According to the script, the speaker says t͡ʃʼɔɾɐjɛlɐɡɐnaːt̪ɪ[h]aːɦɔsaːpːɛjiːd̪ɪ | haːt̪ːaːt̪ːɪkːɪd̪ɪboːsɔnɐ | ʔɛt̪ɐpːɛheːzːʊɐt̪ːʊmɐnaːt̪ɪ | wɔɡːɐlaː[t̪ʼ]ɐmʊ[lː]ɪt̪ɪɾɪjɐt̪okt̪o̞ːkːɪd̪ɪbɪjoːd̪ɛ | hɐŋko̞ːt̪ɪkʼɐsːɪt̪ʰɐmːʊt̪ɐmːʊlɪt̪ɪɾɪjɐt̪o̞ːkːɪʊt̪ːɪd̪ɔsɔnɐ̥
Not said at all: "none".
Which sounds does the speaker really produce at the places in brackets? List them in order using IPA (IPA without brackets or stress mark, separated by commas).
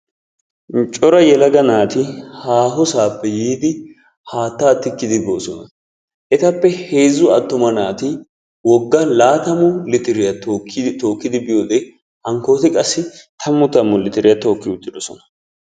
h, t̪, l